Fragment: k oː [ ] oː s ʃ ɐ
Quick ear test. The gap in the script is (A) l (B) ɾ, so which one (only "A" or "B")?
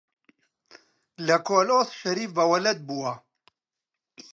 A